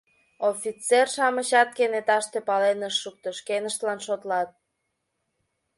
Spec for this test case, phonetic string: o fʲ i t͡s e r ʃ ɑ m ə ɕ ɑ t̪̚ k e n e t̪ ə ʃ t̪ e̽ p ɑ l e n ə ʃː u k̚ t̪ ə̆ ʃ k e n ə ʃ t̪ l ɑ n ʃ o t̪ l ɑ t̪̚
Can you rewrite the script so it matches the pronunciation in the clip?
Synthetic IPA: o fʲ i t͡s e r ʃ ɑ m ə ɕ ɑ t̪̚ k e n e t̪ ɑ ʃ t̪ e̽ p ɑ l e n ə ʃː u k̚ t̪ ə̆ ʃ k e n ə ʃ t̪ l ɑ n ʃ o t̪ l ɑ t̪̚